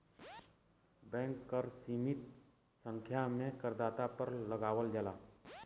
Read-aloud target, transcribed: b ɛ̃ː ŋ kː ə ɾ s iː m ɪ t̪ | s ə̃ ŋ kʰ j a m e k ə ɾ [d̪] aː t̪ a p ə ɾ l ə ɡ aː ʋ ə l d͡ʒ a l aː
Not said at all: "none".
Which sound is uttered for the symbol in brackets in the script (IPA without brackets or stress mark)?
d̪